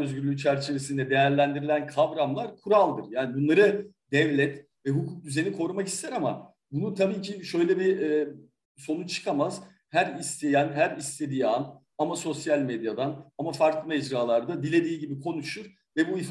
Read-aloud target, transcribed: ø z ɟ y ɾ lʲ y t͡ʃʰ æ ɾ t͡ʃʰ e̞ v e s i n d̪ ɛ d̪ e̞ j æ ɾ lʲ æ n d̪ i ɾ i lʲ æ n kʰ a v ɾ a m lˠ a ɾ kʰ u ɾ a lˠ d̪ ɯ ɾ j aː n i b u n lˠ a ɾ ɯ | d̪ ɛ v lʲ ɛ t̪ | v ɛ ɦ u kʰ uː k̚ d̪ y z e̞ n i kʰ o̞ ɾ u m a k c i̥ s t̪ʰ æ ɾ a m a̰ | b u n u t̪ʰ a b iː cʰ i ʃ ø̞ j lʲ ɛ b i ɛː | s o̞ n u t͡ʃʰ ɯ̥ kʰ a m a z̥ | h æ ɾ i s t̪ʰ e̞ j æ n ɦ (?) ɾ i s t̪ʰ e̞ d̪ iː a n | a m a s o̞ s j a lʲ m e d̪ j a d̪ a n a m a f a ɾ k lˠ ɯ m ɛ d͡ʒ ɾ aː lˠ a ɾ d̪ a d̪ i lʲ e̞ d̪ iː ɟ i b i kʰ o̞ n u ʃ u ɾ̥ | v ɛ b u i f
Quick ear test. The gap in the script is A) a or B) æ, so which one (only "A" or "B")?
B